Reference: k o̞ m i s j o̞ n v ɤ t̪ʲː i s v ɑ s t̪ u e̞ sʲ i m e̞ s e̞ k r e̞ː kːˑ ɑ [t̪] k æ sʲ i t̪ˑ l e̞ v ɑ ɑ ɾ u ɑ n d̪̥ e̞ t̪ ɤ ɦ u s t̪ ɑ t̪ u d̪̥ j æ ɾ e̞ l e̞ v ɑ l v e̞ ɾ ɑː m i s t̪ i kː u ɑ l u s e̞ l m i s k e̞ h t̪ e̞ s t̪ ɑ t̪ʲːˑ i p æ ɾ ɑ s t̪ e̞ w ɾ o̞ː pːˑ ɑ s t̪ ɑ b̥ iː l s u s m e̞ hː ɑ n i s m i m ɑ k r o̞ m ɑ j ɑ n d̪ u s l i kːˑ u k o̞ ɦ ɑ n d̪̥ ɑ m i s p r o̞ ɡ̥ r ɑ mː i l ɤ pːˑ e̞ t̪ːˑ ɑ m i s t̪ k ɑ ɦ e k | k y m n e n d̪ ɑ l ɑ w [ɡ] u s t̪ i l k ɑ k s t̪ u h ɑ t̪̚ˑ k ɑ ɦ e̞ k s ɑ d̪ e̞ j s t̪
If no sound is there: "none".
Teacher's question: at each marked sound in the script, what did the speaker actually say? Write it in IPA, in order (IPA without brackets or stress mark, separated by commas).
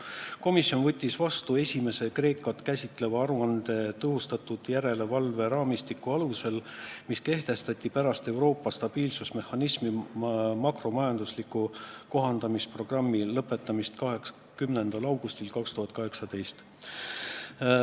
t̪, ɡ